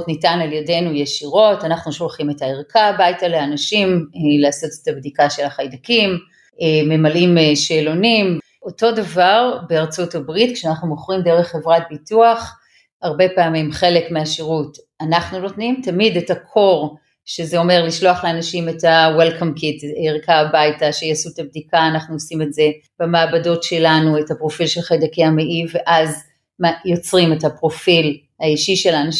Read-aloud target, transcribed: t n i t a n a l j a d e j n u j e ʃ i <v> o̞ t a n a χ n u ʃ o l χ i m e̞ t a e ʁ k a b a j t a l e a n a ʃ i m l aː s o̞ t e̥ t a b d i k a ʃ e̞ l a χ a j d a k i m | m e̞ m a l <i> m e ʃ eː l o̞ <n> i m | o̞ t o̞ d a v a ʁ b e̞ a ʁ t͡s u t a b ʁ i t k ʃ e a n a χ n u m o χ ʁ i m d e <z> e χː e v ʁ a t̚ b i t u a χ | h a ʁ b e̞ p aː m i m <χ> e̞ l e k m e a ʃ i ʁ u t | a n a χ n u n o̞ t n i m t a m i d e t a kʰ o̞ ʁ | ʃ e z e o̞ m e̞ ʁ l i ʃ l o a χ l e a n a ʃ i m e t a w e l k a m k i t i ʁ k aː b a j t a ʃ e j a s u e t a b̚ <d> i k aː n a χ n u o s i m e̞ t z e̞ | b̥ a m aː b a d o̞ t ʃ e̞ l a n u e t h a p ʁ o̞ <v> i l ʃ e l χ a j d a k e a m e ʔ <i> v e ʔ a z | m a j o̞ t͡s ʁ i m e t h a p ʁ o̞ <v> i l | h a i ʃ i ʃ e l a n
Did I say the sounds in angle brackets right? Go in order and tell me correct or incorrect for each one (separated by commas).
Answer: incorrect, correct, correct, incorrect, correct, correct, incorrect, correct, incorrect